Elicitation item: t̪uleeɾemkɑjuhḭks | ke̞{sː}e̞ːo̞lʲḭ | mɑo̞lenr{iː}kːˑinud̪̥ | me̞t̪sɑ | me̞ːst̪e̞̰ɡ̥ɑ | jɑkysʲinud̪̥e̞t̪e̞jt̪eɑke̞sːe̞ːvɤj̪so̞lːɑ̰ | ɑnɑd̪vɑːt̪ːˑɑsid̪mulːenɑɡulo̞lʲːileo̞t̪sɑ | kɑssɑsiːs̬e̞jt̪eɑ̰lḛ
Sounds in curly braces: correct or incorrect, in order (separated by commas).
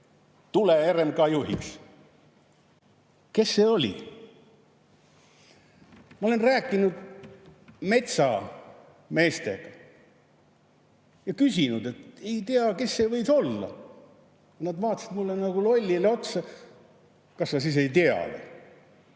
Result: correct, incorrect